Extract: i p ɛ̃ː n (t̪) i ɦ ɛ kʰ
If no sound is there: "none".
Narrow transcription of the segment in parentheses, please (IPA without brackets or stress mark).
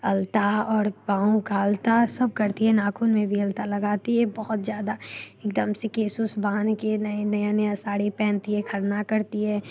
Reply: t̪